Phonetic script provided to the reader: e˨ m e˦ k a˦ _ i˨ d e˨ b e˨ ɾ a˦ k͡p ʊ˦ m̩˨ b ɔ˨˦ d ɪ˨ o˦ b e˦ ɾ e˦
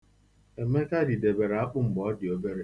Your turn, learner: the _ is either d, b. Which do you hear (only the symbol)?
d